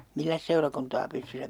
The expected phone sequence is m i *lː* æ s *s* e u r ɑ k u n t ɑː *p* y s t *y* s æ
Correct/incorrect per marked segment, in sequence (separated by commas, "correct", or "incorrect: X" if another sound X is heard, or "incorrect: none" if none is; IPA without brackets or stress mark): correct, correct, correct, correct